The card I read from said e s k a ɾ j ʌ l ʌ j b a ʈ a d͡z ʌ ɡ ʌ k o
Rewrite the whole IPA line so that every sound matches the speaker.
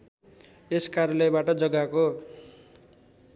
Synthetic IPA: e s k a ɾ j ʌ l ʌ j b a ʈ ʌ d͡z ʌ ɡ a k o